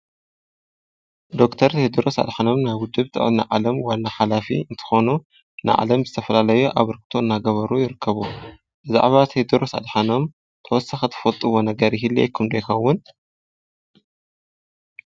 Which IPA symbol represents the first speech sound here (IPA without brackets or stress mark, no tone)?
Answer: d̪